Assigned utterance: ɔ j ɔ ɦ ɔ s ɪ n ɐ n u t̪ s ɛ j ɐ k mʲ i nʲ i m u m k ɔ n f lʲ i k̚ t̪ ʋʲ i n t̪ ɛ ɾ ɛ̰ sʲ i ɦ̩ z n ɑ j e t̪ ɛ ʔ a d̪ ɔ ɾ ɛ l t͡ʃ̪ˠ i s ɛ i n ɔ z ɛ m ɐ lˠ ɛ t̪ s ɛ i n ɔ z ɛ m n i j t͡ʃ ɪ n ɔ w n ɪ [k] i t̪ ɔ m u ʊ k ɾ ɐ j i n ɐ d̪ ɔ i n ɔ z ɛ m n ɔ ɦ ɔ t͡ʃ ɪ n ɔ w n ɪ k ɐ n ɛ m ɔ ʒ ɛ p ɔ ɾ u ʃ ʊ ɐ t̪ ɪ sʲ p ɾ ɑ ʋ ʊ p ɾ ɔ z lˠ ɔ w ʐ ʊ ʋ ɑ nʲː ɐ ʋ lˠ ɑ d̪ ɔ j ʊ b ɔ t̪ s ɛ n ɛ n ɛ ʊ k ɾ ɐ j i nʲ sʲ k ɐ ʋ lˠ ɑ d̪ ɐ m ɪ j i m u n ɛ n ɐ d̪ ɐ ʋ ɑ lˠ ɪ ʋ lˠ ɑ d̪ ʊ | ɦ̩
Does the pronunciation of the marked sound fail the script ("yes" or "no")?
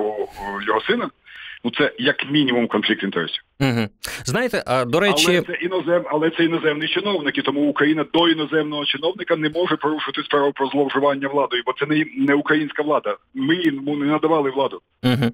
no